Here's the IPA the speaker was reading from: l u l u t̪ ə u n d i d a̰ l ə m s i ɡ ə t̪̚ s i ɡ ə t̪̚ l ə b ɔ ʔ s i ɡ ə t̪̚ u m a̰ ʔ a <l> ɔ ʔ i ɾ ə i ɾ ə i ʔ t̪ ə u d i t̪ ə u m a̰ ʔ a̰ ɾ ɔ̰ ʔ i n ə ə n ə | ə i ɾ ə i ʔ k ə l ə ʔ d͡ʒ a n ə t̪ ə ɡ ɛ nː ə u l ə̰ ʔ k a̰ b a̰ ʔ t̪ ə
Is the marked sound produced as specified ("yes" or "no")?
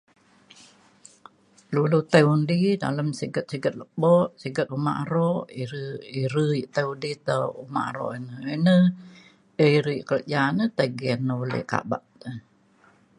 no